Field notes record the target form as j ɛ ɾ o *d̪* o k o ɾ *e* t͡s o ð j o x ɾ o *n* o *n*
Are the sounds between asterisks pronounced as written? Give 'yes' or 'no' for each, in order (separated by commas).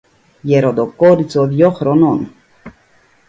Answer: yes, no, yes, yes